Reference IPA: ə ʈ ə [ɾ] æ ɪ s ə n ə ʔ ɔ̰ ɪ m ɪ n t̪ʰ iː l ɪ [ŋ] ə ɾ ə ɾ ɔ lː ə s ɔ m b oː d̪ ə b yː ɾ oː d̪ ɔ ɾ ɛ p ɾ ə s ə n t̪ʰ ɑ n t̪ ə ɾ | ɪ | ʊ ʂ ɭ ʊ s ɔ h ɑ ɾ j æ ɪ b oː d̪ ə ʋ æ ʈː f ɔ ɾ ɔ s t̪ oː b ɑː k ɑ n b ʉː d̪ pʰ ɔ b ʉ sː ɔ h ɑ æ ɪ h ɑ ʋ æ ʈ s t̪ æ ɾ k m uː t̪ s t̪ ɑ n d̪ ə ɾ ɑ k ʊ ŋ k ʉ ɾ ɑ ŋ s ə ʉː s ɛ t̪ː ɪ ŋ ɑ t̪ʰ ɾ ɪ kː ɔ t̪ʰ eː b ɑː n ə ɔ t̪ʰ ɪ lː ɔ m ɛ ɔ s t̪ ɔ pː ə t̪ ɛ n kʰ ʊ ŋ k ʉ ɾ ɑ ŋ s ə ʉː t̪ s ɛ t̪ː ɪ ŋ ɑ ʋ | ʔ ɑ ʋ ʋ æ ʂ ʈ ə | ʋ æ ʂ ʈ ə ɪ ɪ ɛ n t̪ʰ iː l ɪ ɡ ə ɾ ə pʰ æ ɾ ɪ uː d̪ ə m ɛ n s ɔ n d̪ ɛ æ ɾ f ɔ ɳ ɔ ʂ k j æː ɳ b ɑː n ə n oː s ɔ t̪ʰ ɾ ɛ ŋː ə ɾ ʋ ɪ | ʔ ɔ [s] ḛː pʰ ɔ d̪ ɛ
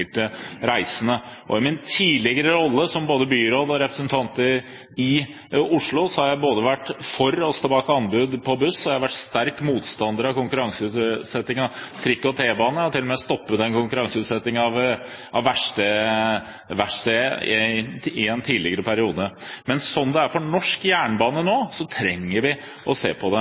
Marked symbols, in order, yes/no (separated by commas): yes, no, yes